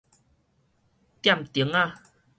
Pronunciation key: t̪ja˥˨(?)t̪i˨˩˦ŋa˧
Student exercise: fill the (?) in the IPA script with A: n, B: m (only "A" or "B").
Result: B